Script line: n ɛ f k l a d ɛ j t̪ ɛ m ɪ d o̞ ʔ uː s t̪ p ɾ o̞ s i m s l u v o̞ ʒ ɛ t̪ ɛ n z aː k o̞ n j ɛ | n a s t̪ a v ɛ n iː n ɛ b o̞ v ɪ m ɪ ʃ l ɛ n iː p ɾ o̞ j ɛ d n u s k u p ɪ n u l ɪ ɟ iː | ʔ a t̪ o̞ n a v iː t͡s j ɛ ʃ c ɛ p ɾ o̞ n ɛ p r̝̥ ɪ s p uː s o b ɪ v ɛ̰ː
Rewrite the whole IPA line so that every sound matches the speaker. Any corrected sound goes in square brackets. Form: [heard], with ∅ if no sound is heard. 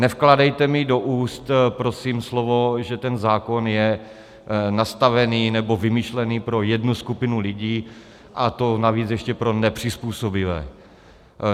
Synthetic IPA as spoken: n ɛ f k l a d ɛ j t̪ ɛ m ɪ d o̞ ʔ uː s t̪ p ɾ o̞ s i m s l [o] v o̞ ʒ ɛ t̪ ɛ n z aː k o̞ n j ɛ | n a s t̪ a v ɛ n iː n ɛ b o̞ v ɪ m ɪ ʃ l ɛ n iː p ɾ o̞ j ɛ d n u s k u p ɪ n u l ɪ ɟ iː | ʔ a t̪ o̞ n a v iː t͡s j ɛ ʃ c ɛ p ɾ o̞ n ɛ p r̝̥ ɪ s p uː s o b ɪ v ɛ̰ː